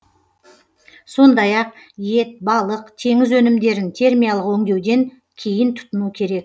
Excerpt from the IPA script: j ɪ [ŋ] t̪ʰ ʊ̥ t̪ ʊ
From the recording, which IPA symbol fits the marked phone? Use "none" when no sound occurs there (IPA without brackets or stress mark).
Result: n